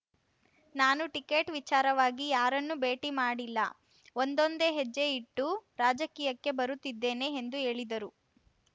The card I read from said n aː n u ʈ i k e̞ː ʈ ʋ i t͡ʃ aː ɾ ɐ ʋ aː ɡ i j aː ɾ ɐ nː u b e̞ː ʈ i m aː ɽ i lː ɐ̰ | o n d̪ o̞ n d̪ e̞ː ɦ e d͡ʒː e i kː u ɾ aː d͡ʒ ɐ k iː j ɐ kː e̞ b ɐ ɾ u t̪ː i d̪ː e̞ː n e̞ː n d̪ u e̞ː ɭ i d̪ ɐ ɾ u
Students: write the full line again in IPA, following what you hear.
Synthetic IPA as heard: n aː n u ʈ i k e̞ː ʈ ʋ i t͡ʃ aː ɾ ɐ ʋ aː ɡ i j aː ɾ ɐ nː u b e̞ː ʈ i m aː ɽ i lː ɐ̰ | o n d̪ o̞ n d̪ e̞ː ɦ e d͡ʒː e i ʈː u ɾ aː d͡ʒ ɐ k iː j ɐ kː e̞ b ɐ ɾ u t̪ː i d̪ː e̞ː n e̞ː n d̪ u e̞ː ɭ i d̪ ɐ ɾ u

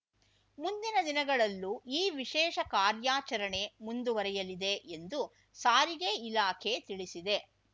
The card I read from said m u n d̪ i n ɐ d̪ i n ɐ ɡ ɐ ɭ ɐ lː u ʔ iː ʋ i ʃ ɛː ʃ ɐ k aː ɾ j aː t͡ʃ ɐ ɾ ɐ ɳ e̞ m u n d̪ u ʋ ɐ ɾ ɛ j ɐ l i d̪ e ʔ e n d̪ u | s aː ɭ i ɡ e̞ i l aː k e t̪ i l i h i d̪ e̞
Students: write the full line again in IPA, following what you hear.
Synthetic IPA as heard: m u n d̪ i n ɐ d̪ i n ɐ ɡ ɐ ɭ ɐ lː u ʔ iː ʋ i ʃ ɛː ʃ ɐ k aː ɾ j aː t͡ʃ ɐ ɾ ɐ ɳ e̞ m u n d̪ u ʋ ɐ ɾ ɛ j ɐ l i d̪ e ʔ e n d̪ u | s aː ɾ i ɡ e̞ i l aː kʰ e t̪ i ɭ i s i d̪ e̞

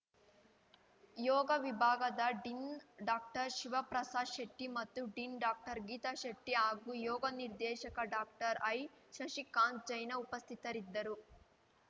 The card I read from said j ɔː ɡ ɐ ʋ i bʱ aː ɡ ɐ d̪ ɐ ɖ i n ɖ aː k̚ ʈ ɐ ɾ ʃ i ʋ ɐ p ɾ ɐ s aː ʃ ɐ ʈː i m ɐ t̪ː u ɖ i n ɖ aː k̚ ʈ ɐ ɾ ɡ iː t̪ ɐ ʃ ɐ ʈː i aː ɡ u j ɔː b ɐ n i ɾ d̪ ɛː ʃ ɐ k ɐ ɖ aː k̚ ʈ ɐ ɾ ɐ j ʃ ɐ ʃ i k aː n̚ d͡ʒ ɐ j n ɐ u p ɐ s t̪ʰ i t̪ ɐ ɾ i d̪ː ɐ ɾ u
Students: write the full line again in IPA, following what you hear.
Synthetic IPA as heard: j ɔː ɡ ɐ ʋ i bʱ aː ɡ ɐ d̪ ɐ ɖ i n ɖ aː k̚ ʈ ɐ ɾ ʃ i ʋ ɐ p ɾ ɐ s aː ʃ ɐ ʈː i m ɐ t̪ː u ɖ i n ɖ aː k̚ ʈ ɐ ɾ ɡ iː t̪ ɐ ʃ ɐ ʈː i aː ɡ u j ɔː ɡ ɐ n i ɾ d̪ ɛː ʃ ɐ k ɐ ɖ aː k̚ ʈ ɐ ɾ ɐ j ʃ ɐ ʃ i k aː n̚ d͡ʒ ɐ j n ɐ u p ɐ s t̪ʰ i t̪ ɐ ɾ i d̪ː ɐ ɾ u

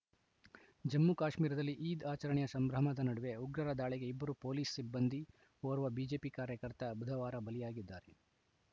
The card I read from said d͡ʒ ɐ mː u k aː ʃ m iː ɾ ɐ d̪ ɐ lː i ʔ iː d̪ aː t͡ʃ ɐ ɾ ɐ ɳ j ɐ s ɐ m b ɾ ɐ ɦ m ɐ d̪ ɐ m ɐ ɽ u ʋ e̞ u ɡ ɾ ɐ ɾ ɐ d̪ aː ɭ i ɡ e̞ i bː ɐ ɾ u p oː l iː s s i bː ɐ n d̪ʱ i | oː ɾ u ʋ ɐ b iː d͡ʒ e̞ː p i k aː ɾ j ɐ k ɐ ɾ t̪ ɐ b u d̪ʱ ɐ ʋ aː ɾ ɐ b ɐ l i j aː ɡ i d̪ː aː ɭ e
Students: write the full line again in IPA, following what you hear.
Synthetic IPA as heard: d͡ʒ ɐ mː u k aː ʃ m iː ɾ ɐ d̪ ɐ lː i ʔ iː d̪ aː t͡ʃ ɐ ɾ ɐ ɳ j ɐ s ɐ m b ɾ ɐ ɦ m ɐ d̪ ɐ n ɐ ɽ u ʋ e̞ u ɡ ɾ ɐ ɾ ɐ d̪ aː ɭ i ɡ e̞ i bː ɐ ɾ u p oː l iː s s i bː ɐ n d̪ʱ i | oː ɾ u ʋ ɐ b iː d͡ʒ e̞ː p i k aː ɾ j ɐ k ɐ ɾ t̪ ɐ b u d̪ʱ ɐ ʋ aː ɾ ɐ b ɐ l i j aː ɡ i d̪ː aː ɾ e

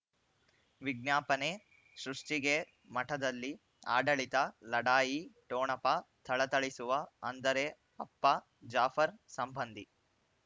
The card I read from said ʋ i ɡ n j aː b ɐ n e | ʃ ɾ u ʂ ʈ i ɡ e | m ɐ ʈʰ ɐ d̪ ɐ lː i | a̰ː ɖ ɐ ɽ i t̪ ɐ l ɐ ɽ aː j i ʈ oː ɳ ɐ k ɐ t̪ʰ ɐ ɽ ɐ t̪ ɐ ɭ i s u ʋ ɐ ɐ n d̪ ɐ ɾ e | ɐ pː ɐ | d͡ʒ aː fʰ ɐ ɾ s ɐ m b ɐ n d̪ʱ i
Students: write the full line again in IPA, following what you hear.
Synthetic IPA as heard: ʋ i ɡ n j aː p ɐ n e | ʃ ɾ u ʂ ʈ i ɡ e | m ɐ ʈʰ ɐ d̪ ɐ lː i | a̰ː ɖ ɐ ɭ i t̪ ɐ l ɐ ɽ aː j i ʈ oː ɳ ɐ p ɐ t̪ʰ ɐ ɭ ɐ t̪ ɐ ɭ i s u ʋ ɐ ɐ n d̪ ɐ ɾ e | ɐ pː ɐ | d͡ʒ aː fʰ ɐ ɾ s ɐ m b ɐ n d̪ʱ i

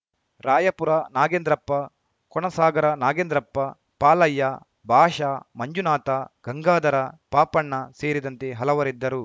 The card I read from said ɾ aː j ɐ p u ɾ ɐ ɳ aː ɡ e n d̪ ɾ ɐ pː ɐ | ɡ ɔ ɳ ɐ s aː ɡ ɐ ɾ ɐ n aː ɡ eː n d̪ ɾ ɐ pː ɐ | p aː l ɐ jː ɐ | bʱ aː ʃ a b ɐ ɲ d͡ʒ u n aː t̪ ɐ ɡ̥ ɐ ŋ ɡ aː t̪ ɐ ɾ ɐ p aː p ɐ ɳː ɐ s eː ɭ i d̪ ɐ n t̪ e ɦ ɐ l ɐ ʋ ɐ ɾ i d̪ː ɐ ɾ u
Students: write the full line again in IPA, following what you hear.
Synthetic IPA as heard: ɾ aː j ɐ p u ɾ ɐ n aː ɡ e n d̪ ɾ ɐ pː ɐ | k ɔ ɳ ɐ s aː ɡ ɐ ɾ ɐ n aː ɡ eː n d̪ ɾ ɐ pː ɐ | p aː l ɐ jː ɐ | bʱ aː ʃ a m ɐ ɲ d͡ʒ u n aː t̪ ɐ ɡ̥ ɐ ŋ ɡ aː d̪ ɐ ɾ ɐ p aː p ɐ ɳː ɐ s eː ɾ i d̪ ɐ n t̪ e ɦ ɐ l ɐ ʋ ɐ ɾ i d̪ː ɐ ɾ u

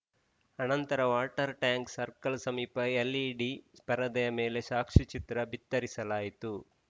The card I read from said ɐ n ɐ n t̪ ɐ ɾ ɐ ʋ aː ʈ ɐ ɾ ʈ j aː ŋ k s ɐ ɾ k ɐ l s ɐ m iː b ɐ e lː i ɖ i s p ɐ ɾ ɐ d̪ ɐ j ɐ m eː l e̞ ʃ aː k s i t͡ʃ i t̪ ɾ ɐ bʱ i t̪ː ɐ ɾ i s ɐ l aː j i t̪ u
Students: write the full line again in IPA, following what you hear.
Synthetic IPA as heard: ɐ n ɐ n t̪ ɐ ɾ ɐ ʋ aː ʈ ɐ ɾ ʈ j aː ŋ k s ɐ ɾ k ɐ l s ɐ m iː p ɐ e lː i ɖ i s p ɐ ɾ ɐ d̪ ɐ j ɐ m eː l e̞ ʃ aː k ʂ i t͡ʃ i t̪ ɾ ɐ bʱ i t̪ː ɐ ɾ i s ɐ l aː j i t̪ u

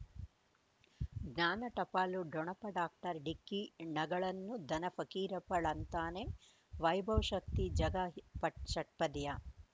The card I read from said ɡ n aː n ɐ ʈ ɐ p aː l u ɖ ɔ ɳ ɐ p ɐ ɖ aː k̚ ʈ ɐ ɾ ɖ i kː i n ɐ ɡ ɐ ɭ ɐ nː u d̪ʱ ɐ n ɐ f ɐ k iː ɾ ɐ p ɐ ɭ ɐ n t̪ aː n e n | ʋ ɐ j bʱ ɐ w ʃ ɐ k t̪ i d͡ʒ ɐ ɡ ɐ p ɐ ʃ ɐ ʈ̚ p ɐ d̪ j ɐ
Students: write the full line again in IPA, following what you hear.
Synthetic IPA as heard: ɡ n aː n ɐ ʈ ɐ p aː l u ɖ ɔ ɳ ɐ p ɐ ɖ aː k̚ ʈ ɐ ɾ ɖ i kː i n ɐ ɡ ɐ ɭ ɐ nː u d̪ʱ ɐ n ɐ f ɐ k iː ɾ ɐ p ɐ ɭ ɐ n t̪ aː n e | ʋ ɐ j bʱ ɐ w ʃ ɐ k t̪ i d͡ʒ ɐ ɡ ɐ p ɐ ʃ ɐ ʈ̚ p ɐ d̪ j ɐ

